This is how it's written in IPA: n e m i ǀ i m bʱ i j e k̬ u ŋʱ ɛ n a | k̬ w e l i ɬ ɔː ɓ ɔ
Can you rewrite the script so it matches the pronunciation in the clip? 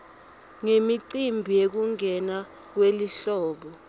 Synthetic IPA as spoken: ŋ e m i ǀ i m bʱ i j e k̬ u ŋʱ ɛ n a | k̬ w e l i ɬ ɔː ɓ ɔ

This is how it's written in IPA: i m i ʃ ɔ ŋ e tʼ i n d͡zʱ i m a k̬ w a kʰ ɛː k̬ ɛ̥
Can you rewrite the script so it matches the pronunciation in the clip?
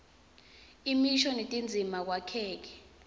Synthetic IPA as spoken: i m i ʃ ɔ n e tʼ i n d͡zʱ i m a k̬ w a kʰ ɛː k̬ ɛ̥

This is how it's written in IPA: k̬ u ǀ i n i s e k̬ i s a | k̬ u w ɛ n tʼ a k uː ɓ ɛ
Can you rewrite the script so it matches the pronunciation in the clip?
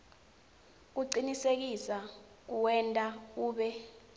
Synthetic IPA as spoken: k̬ u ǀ i n i s e k̬ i s a | k̬ u w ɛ n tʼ a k uː ɓ ɛ

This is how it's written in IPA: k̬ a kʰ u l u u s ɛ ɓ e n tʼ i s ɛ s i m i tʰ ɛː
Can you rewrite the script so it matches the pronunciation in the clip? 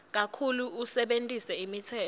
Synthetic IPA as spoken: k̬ a kʰ u l u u s ɛ ɓ e n tʼ i s ɛ i m i tʰ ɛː

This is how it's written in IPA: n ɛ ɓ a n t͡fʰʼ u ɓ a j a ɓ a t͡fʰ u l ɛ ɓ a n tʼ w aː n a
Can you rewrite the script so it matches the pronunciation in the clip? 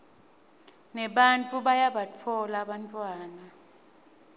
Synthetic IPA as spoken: n ɛ ɓ a n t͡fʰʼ u ɓ a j a ɓ a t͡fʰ ɔ l a ɓ a n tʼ w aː n a

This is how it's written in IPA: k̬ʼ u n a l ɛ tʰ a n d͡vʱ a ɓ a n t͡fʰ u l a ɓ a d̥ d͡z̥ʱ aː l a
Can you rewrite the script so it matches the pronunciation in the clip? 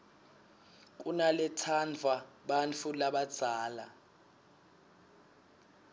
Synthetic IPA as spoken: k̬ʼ u n a l ɛ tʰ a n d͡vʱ a ɓ a n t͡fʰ u l a ɓ a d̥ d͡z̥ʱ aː l a

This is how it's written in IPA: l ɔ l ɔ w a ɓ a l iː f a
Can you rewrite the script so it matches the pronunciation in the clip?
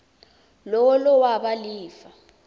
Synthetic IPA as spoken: l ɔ l ɔ w a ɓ a l iː f a

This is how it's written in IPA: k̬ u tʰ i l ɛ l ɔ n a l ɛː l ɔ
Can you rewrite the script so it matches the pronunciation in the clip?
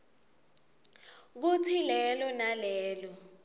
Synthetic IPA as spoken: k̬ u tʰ i l ɛ l ɔ n a l ɛː l ɔ

